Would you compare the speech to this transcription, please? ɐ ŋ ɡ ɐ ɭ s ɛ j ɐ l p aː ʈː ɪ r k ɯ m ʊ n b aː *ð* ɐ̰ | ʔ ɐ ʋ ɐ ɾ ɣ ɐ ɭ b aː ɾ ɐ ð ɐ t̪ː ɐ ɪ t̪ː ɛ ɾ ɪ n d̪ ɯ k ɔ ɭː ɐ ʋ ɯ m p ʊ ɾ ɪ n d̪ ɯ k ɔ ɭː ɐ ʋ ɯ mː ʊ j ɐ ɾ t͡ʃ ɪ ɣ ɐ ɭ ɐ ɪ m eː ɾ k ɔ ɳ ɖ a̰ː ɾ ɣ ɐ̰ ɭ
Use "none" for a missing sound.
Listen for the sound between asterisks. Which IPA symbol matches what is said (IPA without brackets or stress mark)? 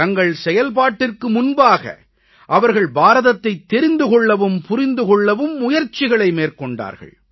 ɣ